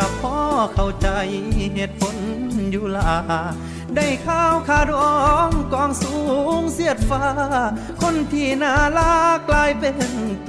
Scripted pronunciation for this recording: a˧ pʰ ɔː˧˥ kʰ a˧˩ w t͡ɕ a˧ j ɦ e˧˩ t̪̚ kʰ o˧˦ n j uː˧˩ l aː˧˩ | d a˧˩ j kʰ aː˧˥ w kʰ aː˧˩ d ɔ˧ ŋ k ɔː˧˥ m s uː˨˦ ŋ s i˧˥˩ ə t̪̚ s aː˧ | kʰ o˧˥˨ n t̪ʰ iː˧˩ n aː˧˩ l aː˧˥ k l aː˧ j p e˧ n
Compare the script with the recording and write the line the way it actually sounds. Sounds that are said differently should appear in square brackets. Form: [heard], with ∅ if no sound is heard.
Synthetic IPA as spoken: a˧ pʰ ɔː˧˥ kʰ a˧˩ w t͡ɕ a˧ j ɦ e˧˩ t̪̚ [pʰ] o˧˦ n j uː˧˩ l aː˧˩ | d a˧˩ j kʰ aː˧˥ w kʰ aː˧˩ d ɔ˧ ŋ k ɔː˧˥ [ŋ] s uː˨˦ ŋ s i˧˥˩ ə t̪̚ [f] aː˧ | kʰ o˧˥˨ n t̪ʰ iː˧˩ n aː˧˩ l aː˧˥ k l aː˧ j p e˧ n